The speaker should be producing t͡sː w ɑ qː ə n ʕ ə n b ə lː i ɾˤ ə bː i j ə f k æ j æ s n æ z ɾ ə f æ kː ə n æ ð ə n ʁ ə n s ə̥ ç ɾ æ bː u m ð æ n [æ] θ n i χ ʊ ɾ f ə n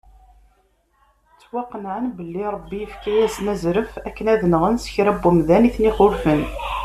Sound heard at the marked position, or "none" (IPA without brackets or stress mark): i